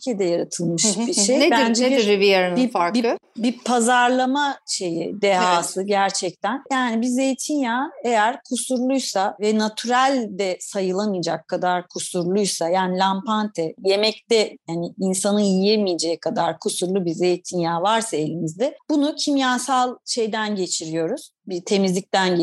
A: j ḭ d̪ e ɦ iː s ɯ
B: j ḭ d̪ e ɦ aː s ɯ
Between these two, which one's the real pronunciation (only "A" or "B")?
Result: B